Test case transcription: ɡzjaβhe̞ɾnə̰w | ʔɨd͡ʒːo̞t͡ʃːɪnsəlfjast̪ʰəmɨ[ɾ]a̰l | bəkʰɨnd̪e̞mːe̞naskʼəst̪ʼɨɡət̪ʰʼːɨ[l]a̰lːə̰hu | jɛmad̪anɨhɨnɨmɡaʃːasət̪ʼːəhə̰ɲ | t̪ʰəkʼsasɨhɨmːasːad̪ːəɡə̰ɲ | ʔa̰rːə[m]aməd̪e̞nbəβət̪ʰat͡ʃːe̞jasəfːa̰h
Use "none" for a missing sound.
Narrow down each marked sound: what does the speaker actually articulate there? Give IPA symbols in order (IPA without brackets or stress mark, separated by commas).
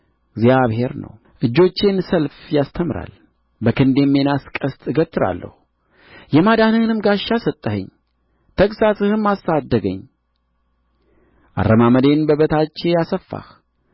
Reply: ɾ, ɾ, m